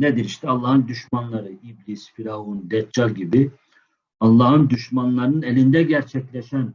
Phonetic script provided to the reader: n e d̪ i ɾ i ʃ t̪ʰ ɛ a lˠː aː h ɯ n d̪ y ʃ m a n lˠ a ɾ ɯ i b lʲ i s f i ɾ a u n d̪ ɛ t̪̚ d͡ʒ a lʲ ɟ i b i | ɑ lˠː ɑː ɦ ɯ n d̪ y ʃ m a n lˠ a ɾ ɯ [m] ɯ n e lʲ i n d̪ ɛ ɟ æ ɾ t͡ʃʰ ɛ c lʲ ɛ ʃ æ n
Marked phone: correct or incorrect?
incorrect